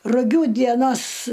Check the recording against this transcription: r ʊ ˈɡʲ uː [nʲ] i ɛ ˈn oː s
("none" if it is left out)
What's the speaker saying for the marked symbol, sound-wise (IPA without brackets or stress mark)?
dʲ